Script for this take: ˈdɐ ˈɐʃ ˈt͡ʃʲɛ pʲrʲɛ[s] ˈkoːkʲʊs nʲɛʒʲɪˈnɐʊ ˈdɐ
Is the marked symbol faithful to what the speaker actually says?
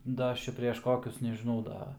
no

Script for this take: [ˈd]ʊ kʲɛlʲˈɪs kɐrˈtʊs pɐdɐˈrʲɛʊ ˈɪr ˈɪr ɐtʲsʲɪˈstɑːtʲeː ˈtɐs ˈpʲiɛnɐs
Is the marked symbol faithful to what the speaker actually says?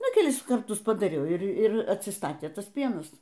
no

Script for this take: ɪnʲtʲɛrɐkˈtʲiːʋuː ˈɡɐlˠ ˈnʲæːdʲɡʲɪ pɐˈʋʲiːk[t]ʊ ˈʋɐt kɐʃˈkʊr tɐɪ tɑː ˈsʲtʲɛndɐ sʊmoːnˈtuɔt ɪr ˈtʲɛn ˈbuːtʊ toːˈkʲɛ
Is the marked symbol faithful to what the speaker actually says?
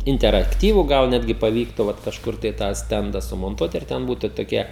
yes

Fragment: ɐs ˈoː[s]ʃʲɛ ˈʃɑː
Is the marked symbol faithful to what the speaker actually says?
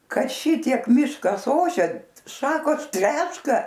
no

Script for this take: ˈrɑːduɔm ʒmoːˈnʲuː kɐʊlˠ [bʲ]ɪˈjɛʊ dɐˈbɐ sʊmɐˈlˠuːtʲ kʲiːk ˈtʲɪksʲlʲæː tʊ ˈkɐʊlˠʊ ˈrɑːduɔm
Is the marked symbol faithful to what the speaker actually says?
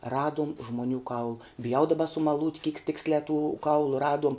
yes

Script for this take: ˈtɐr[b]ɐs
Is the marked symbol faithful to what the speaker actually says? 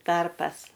no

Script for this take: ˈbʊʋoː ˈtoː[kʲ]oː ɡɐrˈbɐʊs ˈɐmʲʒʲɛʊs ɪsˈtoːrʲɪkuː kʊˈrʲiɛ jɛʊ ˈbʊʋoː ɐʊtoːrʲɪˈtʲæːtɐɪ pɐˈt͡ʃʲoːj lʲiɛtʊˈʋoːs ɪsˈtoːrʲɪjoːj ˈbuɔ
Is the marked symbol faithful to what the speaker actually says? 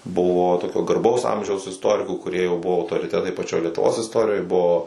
yes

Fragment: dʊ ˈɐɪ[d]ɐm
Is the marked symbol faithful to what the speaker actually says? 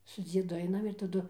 no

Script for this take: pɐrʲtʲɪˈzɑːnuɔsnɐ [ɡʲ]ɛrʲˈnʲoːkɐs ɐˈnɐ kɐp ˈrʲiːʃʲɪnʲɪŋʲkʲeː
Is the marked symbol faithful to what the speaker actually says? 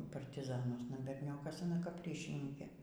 no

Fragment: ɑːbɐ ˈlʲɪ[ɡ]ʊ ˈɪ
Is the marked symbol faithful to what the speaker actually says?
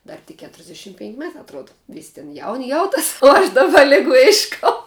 yes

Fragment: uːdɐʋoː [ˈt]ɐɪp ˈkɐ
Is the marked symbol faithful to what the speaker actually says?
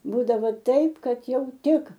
yes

